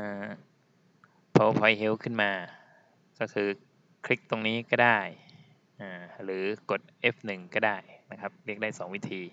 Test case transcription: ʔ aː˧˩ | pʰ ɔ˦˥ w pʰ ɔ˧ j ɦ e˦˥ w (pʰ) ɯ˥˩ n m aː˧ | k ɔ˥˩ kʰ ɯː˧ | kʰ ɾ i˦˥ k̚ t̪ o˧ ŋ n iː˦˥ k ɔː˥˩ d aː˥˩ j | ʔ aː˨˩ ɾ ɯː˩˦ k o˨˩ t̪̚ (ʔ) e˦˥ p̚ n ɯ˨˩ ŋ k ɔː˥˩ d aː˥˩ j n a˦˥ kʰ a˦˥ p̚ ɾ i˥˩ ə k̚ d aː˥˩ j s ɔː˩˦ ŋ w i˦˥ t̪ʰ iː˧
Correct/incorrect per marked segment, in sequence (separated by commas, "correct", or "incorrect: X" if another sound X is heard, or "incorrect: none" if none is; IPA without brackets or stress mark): incorrect: kʰ, correct